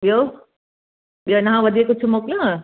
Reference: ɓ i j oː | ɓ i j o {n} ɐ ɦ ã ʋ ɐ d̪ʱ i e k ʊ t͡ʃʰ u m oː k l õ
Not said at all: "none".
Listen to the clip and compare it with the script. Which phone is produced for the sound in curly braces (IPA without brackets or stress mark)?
n